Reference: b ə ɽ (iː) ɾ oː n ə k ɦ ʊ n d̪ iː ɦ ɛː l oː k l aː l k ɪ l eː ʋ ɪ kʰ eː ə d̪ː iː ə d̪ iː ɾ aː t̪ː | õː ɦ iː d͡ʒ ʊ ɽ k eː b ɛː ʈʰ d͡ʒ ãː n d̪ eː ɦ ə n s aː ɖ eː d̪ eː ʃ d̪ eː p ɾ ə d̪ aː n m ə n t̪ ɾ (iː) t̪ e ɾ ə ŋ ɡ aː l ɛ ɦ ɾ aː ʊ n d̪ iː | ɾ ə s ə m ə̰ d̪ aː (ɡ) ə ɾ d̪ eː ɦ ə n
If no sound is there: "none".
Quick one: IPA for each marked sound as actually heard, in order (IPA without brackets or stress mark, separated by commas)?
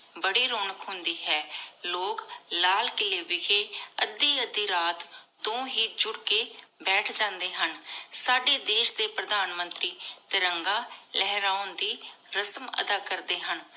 iː, iː, k